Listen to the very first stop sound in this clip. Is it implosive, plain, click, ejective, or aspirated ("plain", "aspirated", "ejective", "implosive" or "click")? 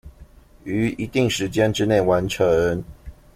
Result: plain